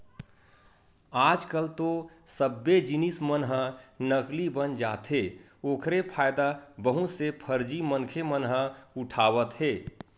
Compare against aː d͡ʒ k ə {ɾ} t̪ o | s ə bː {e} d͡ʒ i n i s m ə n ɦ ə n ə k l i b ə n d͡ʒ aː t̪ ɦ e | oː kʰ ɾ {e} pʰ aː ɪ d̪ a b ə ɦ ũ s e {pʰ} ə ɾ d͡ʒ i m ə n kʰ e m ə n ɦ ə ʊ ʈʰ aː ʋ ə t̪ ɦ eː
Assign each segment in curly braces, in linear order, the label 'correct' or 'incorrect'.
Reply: incorrect: l, correct, correct, correct

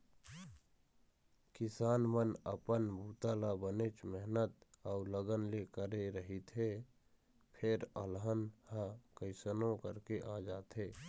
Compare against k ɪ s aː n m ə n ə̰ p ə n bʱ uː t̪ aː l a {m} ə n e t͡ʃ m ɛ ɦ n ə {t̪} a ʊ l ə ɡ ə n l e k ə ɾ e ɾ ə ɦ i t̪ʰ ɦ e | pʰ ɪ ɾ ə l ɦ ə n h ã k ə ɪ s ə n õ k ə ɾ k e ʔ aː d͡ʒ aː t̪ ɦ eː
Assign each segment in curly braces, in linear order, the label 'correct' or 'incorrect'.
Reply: incorrect: b, correct

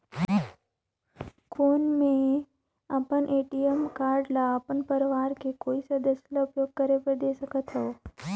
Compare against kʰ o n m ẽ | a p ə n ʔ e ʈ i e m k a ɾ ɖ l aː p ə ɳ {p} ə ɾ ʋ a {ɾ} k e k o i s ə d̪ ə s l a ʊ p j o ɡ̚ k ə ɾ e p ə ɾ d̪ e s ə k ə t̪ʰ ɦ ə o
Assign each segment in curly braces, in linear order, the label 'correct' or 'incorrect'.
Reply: correct, correct

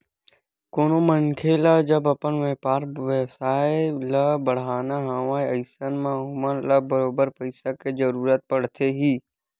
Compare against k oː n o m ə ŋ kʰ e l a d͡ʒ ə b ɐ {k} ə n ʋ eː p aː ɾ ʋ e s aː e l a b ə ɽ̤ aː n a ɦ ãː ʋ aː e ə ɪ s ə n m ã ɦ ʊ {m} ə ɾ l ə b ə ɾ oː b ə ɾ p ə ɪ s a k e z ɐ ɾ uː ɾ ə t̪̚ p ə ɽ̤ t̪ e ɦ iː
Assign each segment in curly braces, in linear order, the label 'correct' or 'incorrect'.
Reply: incorrect: p, correct

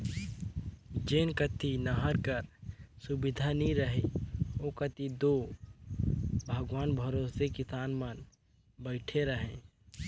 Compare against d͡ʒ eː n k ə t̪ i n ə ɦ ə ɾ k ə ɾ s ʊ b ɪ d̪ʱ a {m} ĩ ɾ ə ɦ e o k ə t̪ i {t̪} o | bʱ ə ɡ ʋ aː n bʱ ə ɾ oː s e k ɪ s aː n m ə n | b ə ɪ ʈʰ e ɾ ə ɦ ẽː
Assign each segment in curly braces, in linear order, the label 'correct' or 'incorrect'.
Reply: incorrect: n, incorrect: d̪

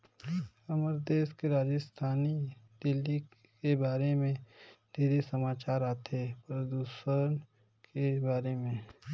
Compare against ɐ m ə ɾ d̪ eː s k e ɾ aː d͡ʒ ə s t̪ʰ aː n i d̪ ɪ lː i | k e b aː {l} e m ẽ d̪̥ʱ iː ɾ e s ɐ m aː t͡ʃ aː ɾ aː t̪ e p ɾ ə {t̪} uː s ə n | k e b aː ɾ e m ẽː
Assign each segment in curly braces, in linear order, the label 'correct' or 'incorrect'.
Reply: incorrect: ɾ, incorrect: d̪

